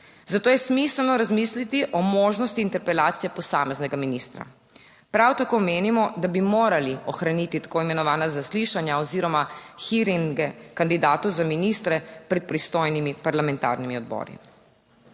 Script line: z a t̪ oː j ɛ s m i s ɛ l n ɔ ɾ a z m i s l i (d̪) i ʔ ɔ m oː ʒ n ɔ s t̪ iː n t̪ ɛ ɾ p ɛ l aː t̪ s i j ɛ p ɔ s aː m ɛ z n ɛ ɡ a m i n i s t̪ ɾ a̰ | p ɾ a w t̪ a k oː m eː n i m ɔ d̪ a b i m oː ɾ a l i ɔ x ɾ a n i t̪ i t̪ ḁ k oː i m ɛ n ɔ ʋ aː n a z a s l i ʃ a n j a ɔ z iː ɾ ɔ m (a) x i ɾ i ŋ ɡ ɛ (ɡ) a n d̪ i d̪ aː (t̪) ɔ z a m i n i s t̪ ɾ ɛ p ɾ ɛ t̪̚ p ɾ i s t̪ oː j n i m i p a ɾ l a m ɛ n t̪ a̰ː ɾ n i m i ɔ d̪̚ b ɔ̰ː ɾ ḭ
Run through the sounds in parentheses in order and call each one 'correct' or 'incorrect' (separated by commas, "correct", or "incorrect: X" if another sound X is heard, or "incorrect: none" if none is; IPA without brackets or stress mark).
incorrect: t̪, correct, incorrect: k, correct